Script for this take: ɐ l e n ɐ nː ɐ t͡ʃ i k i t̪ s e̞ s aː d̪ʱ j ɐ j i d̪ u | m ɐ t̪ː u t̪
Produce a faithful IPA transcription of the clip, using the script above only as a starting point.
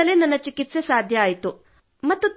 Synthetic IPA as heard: ɐ l e n ɐ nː ɐ t͡ʃ i k i t̪ s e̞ s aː d̪ʱ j ɐː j i t̪ u | m ɐ t̪ː u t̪